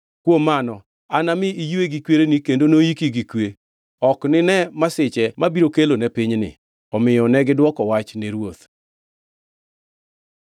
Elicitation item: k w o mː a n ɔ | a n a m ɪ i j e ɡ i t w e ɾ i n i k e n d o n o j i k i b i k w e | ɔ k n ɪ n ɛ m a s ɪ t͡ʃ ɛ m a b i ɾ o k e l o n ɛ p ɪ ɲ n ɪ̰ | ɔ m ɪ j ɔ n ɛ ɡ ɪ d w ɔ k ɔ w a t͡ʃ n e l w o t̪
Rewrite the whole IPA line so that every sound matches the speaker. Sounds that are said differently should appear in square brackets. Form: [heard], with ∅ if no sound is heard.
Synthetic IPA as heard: k w o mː a n ɔ | a n a m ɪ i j e ɡ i [k] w e ɾ [e] n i k e n d o n o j i k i [ɡ] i k w e | ɔ k n ɪ n ɛ m a s ɪ t͡ʃ ɛ m a b i ɾ o k e l o n ɛ p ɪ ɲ n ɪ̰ | ɔ m ɪ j ɔ n ɛ ɡ ɪ d w ɔ k ɔ w a t͡ʃ n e [ɾ] w o t̪